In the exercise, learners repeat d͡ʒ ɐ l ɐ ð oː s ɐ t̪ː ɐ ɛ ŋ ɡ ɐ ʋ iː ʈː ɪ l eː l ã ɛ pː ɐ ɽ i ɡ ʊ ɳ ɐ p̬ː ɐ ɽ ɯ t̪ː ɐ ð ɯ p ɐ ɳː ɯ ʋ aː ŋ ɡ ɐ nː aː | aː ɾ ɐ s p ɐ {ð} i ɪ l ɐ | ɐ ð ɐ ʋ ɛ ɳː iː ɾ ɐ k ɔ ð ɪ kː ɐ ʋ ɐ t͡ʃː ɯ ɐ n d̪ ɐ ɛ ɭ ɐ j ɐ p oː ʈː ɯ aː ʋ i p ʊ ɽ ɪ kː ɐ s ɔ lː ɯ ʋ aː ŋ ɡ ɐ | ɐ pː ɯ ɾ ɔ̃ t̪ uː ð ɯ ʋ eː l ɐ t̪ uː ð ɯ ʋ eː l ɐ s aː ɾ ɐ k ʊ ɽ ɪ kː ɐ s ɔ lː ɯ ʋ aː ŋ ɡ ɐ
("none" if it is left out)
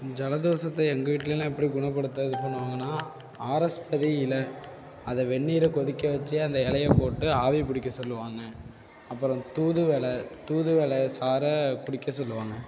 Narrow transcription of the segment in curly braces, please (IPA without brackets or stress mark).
ð